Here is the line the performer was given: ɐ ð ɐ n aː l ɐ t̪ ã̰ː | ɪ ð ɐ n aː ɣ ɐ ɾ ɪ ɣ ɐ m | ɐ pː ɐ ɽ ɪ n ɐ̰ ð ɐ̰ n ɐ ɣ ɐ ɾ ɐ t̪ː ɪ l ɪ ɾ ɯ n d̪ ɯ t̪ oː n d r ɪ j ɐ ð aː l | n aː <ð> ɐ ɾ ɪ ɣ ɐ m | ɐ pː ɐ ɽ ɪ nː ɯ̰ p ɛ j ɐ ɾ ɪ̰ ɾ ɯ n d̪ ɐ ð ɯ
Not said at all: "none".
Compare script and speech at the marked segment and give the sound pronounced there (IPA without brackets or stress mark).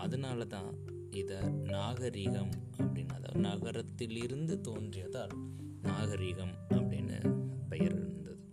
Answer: ɣ